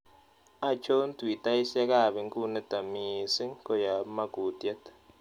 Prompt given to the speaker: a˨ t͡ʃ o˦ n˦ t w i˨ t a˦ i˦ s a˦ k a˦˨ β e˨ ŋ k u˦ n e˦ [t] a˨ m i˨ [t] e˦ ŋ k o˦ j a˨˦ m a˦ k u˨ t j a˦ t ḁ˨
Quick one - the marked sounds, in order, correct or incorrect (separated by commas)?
correct, incorrect